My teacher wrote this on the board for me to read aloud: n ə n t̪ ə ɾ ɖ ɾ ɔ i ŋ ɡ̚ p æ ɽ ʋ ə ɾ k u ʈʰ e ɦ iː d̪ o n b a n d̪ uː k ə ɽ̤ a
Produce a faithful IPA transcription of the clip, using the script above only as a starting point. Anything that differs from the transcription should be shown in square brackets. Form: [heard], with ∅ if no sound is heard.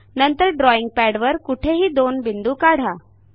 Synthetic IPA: n ə n t̪ ə ɾ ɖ ɾ ɔ i ŋ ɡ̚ p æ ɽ ʋ ə ɾ k u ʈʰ e ɦ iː d̪ o n b [i] n d̪ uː k [a] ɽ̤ a